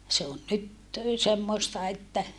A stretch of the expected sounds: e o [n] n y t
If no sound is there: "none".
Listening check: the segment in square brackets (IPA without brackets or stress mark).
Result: n